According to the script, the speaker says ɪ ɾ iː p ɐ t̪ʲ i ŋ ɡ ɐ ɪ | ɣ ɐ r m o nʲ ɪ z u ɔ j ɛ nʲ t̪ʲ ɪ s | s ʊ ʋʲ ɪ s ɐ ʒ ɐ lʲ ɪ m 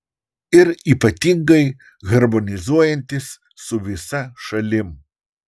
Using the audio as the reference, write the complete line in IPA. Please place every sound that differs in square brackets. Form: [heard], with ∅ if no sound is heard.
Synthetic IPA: ɪ ɾ iː p ɐ t̪ʲ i ŋ ɡ ɐ ɪ | ɣ ɐ [ɾ] m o nʲ ɪ z u ɔ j ɛ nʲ t̪ʲ ɪ s | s ʊ ʋʲ ɪ s ɐ [ʃ] ɐ lʲ ɪ m